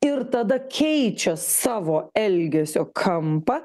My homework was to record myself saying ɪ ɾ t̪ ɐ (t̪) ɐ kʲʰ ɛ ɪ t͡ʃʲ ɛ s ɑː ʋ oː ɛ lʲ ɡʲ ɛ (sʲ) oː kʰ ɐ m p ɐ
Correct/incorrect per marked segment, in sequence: incorrect: d̪, correct

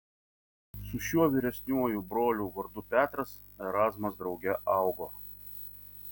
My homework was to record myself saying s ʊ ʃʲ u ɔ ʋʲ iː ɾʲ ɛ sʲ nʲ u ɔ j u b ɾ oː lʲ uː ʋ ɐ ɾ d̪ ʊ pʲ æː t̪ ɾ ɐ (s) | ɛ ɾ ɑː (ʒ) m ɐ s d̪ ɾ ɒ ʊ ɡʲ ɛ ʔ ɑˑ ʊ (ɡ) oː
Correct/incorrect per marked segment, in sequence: correct, incorrect: z, correct

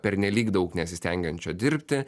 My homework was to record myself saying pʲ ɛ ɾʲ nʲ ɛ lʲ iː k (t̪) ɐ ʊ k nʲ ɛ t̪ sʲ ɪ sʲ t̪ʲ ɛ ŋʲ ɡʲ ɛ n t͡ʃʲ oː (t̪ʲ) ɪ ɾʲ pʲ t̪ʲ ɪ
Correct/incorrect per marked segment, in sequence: incorrect: d̪, incorrect: d̪ʲ

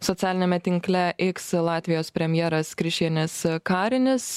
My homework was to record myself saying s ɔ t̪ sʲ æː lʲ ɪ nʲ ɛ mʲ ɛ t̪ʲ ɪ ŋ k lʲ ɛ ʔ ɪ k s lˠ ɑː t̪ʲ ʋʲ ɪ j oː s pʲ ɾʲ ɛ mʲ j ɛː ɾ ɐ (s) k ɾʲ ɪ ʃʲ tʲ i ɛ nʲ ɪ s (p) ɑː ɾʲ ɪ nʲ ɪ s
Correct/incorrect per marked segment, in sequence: correct, incorrect: k

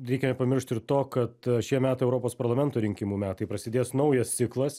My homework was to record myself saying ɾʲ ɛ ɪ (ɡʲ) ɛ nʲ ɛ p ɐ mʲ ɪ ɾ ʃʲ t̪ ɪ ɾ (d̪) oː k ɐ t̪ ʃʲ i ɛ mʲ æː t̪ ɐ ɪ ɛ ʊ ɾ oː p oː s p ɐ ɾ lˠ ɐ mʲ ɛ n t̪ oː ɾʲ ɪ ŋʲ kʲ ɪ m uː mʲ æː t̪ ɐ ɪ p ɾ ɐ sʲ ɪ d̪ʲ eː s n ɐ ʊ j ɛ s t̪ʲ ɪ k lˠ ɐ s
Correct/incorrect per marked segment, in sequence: incorrect: kʲ, incorrect: t̪

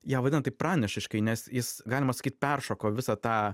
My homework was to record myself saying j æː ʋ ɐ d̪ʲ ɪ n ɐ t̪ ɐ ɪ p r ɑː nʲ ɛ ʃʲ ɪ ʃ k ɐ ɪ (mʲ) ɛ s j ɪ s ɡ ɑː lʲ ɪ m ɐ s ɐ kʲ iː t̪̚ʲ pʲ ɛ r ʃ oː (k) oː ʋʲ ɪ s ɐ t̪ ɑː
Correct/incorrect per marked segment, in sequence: incorrect: nʲ, correct

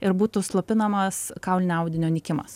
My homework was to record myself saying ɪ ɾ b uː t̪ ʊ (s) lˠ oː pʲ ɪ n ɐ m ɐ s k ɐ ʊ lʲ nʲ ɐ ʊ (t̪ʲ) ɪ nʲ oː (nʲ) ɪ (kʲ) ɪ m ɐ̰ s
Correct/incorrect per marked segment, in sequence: correct, incorrect: d̪ʲ, correct, correct

